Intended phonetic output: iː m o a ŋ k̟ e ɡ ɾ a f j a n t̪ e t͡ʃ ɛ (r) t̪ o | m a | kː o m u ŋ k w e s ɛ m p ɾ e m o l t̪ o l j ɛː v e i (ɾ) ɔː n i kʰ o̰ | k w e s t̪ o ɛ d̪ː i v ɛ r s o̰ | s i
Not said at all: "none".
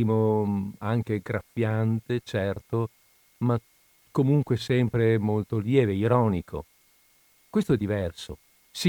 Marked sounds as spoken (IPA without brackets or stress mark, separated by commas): r, ɾ